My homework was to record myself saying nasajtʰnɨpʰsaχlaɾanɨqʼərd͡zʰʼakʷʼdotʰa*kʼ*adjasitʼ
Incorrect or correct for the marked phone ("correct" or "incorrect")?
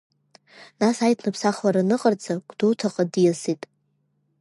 incorrect